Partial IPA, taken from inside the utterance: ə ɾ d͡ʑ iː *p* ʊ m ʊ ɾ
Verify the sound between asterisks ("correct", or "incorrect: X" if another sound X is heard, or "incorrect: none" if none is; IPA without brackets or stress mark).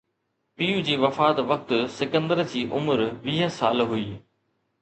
incorrect: ʔ